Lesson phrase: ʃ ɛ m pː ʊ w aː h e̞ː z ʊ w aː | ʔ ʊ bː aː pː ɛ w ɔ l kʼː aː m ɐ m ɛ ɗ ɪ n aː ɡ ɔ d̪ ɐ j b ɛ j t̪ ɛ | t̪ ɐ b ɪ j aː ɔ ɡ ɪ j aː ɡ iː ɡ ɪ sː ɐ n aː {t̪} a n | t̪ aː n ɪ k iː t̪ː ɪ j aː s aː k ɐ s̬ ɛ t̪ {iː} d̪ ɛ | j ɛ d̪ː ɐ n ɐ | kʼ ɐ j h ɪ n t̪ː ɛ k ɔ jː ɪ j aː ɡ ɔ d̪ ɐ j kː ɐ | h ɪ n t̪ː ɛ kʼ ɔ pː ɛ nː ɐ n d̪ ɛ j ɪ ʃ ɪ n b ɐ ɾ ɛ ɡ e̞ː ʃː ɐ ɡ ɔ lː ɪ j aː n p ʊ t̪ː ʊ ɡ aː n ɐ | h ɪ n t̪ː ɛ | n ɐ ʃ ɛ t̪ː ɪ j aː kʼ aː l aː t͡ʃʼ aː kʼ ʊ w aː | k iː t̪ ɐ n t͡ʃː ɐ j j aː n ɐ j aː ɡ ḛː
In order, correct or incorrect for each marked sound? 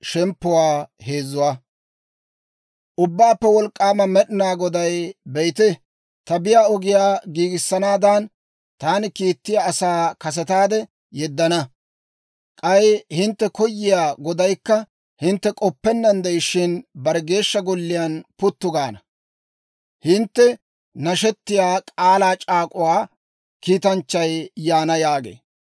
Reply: incorrect: d̪, incorrect: aː

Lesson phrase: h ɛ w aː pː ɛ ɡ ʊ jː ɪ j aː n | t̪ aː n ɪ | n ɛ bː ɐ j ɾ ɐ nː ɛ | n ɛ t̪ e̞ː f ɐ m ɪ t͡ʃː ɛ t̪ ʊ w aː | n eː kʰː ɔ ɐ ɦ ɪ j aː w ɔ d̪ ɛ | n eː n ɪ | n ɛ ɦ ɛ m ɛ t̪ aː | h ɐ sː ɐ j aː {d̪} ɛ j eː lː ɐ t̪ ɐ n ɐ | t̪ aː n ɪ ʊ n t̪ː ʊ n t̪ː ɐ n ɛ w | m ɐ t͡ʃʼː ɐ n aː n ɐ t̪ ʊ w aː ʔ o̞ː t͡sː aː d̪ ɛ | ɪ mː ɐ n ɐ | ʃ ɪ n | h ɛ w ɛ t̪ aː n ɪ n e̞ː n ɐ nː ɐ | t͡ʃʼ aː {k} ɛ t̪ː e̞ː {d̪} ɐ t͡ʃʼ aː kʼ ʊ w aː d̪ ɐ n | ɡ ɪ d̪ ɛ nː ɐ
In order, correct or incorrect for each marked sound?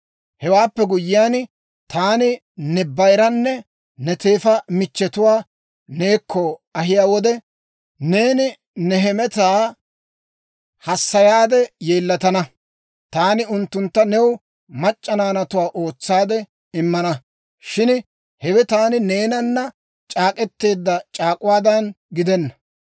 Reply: correct, incorrect: kʼ, incorrect: d̪ː

